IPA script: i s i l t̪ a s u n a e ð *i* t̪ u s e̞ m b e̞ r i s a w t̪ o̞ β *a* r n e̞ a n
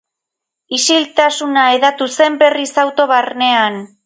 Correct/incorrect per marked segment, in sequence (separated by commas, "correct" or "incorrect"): incorrect, correct